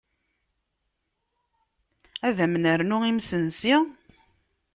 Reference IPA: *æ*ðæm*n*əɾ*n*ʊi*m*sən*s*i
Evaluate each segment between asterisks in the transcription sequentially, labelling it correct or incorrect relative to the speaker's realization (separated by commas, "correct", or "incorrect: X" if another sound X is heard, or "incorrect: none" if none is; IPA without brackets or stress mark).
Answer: correct, correct, correct, correct, correct